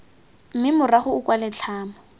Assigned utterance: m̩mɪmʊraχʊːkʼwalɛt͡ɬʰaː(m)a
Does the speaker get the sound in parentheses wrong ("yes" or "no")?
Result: no